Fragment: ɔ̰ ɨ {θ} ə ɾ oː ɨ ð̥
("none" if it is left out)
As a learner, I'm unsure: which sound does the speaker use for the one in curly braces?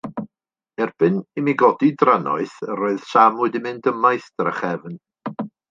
θ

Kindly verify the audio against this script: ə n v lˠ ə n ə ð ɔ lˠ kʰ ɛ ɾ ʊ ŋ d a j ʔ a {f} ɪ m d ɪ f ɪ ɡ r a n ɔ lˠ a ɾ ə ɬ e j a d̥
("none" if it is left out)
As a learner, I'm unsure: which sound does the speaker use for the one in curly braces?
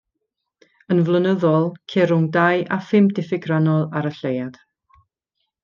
f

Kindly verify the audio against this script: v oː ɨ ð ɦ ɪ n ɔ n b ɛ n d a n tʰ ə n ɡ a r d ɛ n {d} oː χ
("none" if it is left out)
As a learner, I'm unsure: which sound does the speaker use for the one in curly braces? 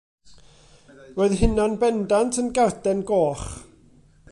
ɡ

